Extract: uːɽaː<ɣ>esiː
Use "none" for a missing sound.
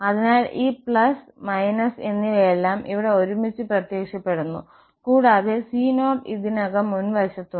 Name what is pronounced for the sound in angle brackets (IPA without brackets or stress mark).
ð